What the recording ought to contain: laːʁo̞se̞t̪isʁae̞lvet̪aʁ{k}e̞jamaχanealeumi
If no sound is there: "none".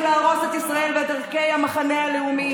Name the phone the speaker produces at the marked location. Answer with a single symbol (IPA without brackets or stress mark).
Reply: k